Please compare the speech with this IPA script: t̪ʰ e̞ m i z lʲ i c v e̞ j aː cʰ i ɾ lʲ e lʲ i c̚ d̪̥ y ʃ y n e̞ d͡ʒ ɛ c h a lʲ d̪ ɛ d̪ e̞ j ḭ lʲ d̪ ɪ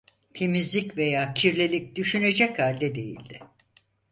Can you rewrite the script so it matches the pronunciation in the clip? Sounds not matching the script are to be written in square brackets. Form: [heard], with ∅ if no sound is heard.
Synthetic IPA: t̪ʰ e̞ m i z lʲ i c v e̞ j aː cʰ i ɾ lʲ e lʲ i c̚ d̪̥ y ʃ y n e̞ d͡ʒ ɛ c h a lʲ d̪ ɛ d̪ e̞ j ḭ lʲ d̪ ɪ

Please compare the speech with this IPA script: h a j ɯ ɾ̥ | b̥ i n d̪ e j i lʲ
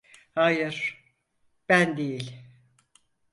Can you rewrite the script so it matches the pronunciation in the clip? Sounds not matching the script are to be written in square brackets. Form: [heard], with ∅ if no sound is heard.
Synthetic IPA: h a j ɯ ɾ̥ | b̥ [æ] n d̪ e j i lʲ

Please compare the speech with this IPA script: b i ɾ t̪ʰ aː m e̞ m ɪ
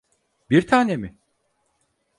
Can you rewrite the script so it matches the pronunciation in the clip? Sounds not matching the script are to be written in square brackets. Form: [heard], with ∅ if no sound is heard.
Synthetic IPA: b i ɾ t̪ʰ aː [n] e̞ m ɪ

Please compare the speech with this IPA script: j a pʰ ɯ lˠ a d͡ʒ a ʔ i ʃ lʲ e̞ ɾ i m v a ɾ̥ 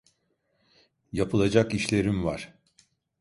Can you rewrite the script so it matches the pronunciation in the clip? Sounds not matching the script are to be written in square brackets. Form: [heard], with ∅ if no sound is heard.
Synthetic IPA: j a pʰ ɯ lˠ a d͡ʒ a [k] i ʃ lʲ e̞ ɾ i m v a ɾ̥

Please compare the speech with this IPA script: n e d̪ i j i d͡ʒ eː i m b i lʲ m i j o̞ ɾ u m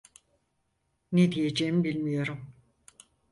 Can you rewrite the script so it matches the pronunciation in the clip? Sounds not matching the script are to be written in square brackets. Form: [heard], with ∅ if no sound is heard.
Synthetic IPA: n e d̪ i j [e] d͡ʒ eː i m b i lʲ m i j o̞ ɾ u m

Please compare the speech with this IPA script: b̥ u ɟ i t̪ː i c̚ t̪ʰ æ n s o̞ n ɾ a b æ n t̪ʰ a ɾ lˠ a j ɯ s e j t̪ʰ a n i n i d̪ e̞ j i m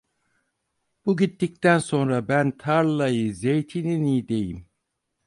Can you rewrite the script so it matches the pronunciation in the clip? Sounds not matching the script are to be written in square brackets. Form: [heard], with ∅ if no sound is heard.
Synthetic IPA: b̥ u ɟ i t̪ː i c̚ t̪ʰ æ n s o̞ n ɾ a b æ n t̪ʰ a ɾ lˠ a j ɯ [z] e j t̪ʰ [i] n i n i d̪ e̞ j i m

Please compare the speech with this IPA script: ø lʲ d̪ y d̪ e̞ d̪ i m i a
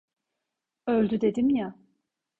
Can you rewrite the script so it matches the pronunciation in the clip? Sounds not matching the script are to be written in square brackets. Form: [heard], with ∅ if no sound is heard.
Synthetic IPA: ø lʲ d̪ y d̪ e̞ d̪ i m [j] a

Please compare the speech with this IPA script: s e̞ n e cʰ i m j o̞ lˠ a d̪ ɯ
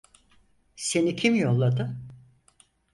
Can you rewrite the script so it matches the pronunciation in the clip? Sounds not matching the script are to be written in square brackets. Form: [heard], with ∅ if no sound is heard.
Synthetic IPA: s e̞ n [i] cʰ i m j o̞ [lˠː] a d̪ ɯ

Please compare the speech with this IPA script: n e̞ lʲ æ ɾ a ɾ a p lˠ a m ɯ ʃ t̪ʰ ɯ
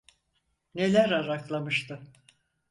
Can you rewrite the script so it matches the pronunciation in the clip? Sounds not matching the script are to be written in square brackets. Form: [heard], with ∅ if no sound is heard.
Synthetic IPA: n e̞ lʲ æ ɾ a ɾ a [k] lˠ a m ɯ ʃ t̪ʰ ɯ

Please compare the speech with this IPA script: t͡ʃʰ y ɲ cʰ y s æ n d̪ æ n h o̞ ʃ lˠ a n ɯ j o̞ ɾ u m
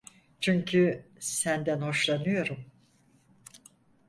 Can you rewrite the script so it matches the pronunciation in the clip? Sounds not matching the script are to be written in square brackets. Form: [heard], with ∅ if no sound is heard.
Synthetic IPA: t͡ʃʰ y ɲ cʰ y s æ n d̪ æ n h o̞ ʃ lˠ a n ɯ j o̞ ɾ u m

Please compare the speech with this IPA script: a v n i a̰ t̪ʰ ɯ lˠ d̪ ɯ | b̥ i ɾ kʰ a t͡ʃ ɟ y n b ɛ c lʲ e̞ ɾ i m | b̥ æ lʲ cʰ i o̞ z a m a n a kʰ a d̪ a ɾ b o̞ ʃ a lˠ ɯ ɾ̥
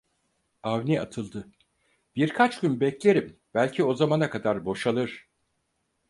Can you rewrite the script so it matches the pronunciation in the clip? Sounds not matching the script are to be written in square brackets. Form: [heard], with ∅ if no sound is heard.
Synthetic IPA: a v n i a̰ t̪ʰ ɯ lˠ d̪ ɯ | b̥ i ɾ kʰ a t͡ʃ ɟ y n b ɛ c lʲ e̞ ɾ i m | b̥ æ lʲ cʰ i o̞ z a m a n a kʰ a d̪ a ɾ b o̞ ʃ a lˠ ɯ ɾ̥

